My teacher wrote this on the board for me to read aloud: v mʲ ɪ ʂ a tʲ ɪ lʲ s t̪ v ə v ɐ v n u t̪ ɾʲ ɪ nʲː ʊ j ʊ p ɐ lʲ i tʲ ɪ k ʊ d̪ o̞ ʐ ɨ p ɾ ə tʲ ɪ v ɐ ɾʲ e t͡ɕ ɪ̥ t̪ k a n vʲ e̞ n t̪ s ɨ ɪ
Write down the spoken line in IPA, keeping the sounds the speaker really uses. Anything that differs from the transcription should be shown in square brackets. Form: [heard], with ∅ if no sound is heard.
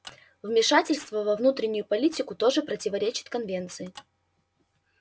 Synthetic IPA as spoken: v mʲ ɪ ʂ a tʲ ɪ lʲ s t̪ v ə v ɐ v n u t̪ ɾʲ ɪ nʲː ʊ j ʊ p ɐ lʲ i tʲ ɪ k ʊ [t̪] o̞ ʐ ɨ p ɾ ə tʲ ɪ v ɐ ɾʲ e t͡ɕ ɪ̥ t̪ k [ɐ] n vʲ e̞ n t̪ s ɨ ɪ